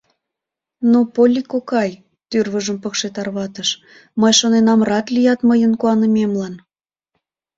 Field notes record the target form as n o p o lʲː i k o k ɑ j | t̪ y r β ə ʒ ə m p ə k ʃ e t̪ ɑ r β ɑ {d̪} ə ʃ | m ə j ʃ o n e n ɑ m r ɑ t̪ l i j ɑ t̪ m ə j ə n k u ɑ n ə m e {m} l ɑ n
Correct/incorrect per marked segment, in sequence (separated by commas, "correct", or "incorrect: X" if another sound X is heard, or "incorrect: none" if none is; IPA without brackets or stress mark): incorrect: t̪, correct